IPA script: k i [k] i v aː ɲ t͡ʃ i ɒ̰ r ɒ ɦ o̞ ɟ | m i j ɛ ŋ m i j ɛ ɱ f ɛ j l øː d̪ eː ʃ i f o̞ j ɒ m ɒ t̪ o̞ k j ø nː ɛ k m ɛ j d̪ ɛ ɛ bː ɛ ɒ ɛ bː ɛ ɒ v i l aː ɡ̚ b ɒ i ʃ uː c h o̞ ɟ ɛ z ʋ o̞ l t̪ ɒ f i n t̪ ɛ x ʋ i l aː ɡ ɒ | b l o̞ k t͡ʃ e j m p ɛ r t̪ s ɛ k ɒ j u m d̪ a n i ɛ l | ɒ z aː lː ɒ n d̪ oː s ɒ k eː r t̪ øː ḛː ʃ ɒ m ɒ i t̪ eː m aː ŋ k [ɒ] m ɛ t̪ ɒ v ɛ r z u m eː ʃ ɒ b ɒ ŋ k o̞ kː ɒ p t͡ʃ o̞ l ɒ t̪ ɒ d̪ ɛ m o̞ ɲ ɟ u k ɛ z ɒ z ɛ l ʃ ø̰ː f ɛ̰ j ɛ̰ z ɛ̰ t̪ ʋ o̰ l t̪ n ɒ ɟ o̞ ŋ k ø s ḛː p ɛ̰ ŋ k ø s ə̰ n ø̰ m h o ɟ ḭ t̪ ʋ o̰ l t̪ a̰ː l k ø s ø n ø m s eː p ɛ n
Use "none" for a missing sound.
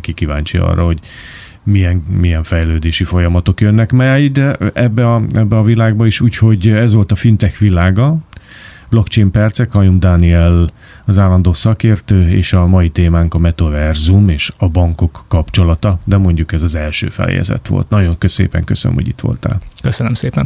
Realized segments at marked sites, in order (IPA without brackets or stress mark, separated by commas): k, ɒ